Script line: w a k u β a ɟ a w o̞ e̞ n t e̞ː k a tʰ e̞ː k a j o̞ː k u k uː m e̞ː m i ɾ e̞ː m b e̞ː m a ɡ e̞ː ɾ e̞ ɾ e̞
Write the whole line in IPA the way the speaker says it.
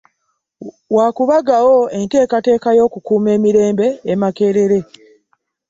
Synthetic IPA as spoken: w a k u β a ɡ a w o̞ e̞ n t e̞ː k a t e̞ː k a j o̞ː k u k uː m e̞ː m i ɾ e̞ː m b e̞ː m a k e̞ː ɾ e̞ ɾ e̞

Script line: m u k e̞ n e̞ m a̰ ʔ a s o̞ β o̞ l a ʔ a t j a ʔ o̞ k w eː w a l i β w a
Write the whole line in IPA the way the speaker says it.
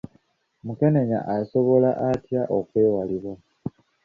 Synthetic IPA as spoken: m u k e̞ n e̞ ɲ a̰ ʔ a s o̞ β o̞ l a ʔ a t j a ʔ o̞ k w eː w a l i β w a

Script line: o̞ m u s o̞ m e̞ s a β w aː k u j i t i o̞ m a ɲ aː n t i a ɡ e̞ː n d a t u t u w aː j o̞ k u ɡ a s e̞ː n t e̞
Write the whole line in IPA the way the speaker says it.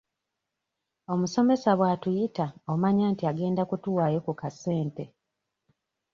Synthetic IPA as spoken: o̞ m u s o̞ m e̞ s a β w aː t u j i t a o̞ m a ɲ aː n t i a ɡ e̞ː n d a k u t u w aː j o̞ k u k a s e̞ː n t e̞

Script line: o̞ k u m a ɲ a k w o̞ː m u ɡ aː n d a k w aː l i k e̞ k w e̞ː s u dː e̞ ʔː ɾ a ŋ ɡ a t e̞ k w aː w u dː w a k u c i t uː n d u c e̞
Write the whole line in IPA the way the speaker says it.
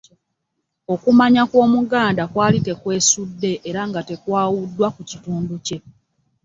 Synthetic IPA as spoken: o̞ k u m a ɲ a k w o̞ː m u ɡ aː n d a k w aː l i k e̞ k w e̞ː s u dː e̞ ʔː ɾ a ŋ ɡ a t e̞ k w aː w u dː w a k u c i t uː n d u c e̞

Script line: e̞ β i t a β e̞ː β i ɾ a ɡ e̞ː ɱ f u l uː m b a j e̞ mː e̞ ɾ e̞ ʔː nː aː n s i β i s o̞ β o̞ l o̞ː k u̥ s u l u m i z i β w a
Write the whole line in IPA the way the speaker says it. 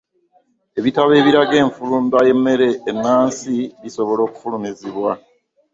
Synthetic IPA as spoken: e̞ β i t a β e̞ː β i ɾ a ɡ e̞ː ɱ f u l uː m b a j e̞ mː e̞ ɾ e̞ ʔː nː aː n s i β i s o̞ β o̞ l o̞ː k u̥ f u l u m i z i β w a

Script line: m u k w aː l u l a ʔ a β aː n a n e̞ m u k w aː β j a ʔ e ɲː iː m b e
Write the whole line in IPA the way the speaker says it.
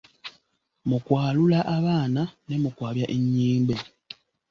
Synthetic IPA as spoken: m u k w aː l u l a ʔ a β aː n a n e̞ m u k w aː β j a ʔ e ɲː iː m b e

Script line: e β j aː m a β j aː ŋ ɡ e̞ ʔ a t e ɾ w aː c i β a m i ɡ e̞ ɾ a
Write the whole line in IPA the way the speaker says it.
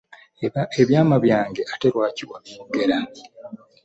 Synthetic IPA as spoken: e β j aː m a β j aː ŋ ɡ e̞ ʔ a t e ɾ w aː c i w a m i ɡ e̞ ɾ a

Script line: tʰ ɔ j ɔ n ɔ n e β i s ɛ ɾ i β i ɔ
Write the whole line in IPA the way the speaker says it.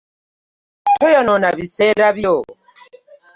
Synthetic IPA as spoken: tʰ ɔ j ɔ n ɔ n a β i s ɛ ɾ a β j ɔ

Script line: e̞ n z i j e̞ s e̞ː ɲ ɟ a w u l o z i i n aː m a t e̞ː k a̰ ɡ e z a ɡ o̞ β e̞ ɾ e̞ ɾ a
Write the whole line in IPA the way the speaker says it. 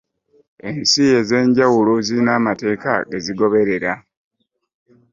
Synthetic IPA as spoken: e̞ n s i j e̞ z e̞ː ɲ ɟ a w u l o z i i n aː m a t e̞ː k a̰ ɡ e z i ɡ o̞ β e̞ ɾ e̞ ɾ a

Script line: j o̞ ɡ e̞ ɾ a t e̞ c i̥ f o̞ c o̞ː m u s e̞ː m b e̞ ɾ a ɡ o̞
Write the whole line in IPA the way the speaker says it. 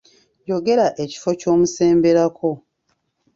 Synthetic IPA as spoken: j o̞ ɡ e̞ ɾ a ʔ e̞ c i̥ f o̞ c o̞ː m u s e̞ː m b e̞ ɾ a k o̞

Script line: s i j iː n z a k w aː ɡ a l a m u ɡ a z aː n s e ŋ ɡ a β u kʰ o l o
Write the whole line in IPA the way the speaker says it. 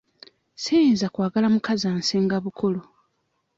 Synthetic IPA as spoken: s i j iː n z a k w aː ɡ a l a m u k a z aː n s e ŋ ɡ a β u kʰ o l o

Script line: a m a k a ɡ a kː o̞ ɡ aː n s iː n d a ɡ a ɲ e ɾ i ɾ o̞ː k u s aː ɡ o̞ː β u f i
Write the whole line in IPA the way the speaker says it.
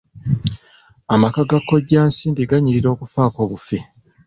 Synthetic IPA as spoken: a m a k a ɡ a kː o̞ ɟ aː n s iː n d i ɡ a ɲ i ɾ i ɾ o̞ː k u f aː k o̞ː β u f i

